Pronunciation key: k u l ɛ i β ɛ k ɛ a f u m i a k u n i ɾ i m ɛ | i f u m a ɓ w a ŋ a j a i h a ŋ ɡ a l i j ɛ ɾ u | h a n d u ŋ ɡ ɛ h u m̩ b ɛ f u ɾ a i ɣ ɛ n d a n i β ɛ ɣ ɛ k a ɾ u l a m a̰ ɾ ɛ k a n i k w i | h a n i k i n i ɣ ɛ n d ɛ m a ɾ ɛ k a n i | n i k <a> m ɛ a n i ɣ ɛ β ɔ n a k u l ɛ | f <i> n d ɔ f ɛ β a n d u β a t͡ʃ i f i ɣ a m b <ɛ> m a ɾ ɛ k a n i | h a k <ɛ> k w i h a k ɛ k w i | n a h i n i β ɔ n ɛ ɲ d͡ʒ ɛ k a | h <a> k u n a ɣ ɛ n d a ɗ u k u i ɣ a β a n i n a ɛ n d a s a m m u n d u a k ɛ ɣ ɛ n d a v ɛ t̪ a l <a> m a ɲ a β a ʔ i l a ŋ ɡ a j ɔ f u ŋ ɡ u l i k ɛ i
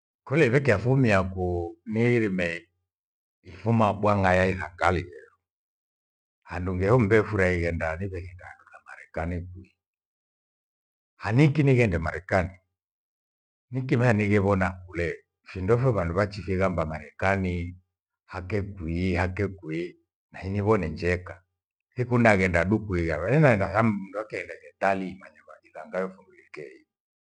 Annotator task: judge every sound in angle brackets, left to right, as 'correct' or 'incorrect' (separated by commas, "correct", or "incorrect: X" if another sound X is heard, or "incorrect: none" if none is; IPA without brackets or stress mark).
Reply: incorrect: i, correct, incorrect: a, correct, incorrect: i, incorrect: i